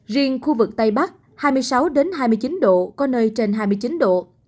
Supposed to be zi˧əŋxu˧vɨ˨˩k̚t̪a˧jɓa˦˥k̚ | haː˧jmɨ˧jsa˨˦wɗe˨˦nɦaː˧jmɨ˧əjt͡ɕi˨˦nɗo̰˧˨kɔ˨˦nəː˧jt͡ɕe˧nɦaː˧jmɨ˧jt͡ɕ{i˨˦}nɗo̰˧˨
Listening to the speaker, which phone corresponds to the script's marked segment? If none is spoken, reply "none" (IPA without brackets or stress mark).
i˨˦